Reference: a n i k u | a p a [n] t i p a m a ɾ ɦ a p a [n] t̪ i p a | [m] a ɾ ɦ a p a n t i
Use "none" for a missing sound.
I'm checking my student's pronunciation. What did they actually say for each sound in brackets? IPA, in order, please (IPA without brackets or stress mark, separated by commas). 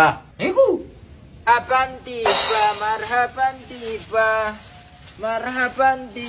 n, n, m